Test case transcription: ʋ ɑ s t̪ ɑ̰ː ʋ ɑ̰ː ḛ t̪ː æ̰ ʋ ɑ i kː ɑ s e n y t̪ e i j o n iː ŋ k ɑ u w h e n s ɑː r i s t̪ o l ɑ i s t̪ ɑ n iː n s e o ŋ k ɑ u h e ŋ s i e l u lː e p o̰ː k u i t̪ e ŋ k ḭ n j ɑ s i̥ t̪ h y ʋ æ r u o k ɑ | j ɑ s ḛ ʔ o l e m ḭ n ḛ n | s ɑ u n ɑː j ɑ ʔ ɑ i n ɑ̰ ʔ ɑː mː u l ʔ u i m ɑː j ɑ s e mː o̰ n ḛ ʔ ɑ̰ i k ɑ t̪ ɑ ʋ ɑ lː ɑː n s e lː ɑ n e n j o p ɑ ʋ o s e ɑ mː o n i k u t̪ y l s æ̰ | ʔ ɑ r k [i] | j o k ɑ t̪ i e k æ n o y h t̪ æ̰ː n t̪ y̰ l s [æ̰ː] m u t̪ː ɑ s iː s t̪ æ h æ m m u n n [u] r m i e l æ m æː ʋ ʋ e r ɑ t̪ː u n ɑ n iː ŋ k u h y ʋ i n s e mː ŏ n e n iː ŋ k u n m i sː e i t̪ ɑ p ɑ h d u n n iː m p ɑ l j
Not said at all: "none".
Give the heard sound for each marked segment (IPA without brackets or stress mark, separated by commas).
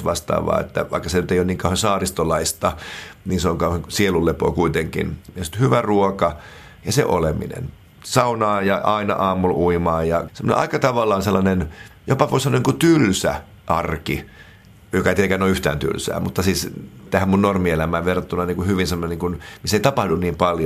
i, æ̰ː, o